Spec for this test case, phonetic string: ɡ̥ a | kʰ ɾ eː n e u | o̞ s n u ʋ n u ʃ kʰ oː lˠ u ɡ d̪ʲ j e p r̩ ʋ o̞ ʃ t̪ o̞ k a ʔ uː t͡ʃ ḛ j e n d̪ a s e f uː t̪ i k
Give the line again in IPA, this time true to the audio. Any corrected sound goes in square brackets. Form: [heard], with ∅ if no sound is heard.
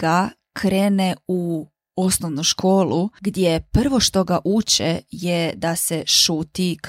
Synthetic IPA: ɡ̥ a | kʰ ɾ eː n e u | o̞ s n [o] ʋ n u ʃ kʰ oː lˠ u ɡ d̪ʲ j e p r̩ ʋ o̞ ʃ t̪ o̞ [ɡ] a ʔ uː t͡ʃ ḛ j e [∅] d̪ a s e [ʃ] uː t̪ i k